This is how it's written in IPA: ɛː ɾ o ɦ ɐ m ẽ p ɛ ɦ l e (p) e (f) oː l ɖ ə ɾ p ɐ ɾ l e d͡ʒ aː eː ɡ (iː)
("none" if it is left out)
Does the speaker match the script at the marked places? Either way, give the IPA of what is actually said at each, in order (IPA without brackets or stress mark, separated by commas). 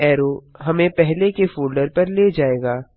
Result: k, f, aː